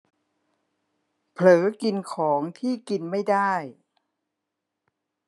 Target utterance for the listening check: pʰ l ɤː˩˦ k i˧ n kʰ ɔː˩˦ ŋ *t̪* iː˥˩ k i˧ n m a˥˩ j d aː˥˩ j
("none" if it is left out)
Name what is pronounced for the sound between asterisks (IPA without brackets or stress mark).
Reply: t̪ʰ